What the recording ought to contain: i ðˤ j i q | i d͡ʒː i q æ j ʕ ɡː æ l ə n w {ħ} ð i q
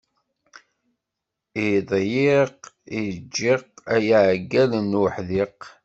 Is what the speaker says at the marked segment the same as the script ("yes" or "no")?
yes